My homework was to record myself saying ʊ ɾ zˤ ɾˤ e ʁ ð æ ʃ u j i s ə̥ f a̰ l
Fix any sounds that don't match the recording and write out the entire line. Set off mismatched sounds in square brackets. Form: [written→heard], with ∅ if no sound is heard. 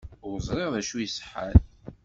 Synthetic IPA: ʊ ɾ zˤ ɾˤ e ʁ ð æ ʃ u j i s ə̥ [f→ħ] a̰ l